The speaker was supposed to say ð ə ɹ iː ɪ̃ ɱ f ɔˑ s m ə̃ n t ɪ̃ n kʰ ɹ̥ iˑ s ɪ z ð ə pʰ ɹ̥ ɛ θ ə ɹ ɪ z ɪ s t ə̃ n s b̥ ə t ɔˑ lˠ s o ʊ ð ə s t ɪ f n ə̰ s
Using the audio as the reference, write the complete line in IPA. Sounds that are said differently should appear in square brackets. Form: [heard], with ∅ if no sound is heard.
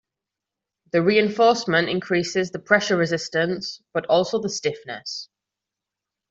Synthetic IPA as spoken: ð ə ɹ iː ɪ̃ ɱ f ɔˑ s m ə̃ n t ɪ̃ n kʰ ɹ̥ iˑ s ɪ z ð ə pʰ ɹ̥ ɛ [ʃ] ə ɹ ɪ z ɪ s t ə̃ n s b̥ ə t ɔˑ lˠ s o ʊ ð ə s t ɪ f n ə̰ s